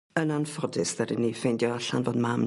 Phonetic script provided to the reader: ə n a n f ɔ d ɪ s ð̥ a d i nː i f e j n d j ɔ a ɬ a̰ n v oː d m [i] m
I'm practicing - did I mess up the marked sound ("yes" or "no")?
yes